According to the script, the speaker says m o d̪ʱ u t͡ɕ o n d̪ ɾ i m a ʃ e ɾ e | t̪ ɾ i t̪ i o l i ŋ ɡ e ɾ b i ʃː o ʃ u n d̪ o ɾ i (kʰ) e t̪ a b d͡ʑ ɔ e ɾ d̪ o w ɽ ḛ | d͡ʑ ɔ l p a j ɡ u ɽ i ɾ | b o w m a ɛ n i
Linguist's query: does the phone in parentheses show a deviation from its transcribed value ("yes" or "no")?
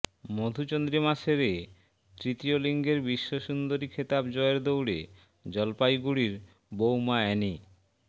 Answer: no